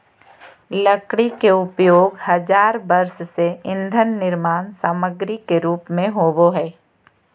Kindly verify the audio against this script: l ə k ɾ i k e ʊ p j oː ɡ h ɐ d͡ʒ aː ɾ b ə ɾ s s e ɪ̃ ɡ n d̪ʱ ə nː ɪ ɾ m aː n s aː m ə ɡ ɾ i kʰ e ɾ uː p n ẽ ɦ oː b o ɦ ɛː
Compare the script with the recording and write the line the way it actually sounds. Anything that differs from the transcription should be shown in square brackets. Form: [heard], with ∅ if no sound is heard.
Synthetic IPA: l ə k [ɽ] i k e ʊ p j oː ɡ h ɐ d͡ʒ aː ɾ b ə ɾ s s e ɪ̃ [∅] n d̪ʱ ə nː ɪ ɾ m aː n s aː m ə ɡ ɾ i [k] e ɾ uː p [m] ẽ ɦ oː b o ɦ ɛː